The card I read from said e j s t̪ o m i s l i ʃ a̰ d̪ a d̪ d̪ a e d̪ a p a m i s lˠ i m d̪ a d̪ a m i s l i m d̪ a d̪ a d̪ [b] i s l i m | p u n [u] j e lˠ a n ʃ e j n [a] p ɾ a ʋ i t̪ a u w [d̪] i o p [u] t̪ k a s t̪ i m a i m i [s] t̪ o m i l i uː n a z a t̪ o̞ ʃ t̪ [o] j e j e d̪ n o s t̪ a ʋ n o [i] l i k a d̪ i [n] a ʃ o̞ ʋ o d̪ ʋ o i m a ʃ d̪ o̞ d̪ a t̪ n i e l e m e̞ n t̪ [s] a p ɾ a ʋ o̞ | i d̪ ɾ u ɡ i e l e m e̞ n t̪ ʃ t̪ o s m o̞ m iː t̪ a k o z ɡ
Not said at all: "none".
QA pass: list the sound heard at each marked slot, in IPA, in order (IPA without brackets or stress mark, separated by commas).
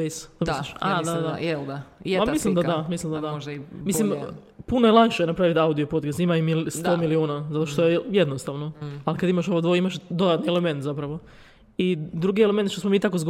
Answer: m, o, a, d̪, o, s, o, a, m, z